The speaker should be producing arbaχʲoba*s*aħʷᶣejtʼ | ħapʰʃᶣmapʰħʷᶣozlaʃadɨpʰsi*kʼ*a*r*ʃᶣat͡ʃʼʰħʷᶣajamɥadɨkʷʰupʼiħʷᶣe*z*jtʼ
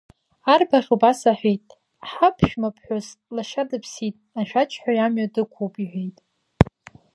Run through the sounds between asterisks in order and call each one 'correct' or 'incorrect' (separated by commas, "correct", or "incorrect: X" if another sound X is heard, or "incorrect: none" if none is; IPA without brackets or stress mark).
correct, incorrect: tʼ, incorrect: none, incorrect: none